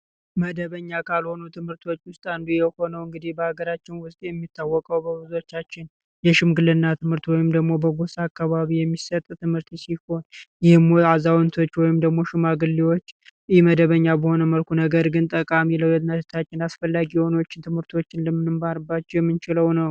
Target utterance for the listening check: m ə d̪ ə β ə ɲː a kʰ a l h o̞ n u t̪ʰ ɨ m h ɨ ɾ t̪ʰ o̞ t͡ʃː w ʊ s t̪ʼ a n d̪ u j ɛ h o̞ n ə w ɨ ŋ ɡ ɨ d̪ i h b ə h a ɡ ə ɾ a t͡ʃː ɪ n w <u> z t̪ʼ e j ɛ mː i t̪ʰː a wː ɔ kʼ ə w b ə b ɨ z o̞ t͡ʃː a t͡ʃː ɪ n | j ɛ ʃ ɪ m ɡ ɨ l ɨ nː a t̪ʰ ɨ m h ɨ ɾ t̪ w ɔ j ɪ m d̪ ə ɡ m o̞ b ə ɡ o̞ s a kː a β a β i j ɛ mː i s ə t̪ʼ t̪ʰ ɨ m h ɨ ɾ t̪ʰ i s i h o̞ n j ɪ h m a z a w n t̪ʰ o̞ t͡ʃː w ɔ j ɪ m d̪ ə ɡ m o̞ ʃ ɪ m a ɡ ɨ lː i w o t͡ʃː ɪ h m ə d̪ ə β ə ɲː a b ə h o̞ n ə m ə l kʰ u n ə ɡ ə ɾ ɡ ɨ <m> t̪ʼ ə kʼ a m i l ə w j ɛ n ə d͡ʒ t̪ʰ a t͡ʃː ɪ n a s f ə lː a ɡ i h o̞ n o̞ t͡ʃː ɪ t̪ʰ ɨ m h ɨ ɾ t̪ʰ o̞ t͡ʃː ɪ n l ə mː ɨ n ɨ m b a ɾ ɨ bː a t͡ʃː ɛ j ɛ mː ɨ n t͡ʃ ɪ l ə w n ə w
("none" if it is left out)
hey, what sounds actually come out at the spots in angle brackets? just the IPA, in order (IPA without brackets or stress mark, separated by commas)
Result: ʊ, n